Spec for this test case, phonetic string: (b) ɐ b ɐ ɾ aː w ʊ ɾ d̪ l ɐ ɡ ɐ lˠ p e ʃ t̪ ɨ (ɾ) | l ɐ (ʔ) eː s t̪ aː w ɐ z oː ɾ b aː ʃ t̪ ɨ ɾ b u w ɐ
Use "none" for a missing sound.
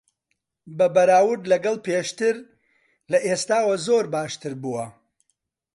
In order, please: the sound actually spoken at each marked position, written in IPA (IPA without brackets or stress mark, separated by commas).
b, ɾ, ʔ